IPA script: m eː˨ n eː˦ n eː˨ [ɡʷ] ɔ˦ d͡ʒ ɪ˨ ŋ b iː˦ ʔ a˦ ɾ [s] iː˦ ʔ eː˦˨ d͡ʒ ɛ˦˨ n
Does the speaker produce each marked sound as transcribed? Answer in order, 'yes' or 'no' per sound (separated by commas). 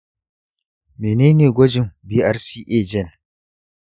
yes, yes